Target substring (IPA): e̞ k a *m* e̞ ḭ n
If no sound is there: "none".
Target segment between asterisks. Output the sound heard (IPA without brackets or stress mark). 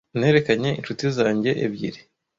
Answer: ɲ